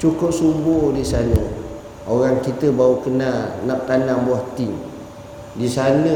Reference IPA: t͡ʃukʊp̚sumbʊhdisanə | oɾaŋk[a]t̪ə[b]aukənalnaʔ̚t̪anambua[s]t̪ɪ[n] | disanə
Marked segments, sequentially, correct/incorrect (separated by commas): incorrect, correct, incorrect, incorrect